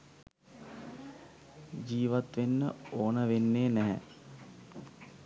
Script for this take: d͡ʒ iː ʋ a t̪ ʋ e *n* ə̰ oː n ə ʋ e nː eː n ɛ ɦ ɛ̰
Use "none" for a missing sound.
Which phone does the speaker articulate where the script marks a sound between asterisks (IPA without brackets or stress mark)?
nː